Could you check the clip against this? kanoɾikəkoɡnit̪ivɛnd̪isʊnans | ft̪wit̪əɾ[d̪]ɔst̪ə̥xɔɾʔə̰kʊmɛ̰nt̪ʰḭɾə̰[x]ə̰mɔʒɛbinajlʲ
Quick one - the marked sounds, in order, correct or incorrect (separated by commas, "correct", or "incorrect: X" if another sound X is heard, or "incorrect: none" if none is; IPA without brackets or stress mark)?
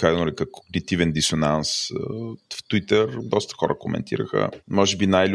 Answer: correct, correct